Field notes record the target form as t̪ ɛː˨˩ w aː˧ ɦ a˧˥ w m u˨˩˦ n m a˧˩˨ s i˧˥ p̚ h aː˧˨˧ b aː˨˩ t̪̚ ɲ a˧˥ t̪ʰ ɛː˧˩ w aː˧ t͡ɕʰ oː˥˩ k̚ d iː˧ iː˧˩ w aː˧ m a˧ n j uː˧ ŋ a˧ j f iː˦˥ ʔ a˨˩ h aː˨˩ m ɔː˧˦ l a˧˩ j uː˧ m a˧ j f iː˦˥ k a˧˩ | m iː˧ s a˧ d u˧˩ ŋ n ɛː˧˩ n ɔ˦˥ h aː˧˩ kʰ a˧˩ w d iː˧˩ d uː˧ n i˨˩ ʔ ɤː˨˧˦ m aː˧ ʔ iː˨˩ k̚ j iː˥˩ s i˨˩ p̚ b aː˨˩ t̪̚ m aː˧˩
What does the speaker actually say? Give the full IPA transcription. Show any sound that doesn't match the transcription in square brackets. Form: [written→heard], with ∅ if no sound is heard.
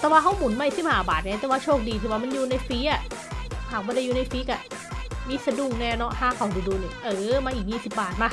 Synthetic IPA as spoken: t̪ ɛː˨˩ w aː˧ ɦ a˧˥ w m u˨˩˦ n m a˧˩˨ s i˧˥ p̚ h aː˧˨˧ b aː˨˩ t̪̚ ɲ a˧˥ [t̪ʰ→t̪] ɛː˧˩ w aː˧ t͡ɕʰ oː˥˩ k̚ d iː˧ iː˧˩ w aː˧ m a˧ n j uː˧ [ŋ→n] a˧ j f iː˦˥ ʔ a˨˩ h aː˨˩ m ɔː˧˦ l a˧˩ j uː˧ [m→n] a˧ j f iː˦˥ k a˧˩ | m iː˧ s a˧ d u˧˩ ŋ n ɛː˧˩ n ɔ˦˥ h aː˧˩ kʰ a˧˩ w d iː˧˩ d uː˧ n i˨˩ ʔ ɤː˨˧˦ m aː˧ ʔ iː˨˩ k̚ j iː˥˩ s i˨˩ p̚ b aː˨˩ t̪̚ m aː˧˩